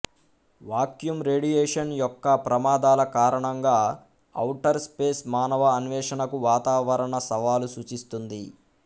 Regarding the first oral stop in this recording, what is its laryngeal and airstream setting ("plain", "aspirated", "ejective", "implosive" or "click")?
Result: plain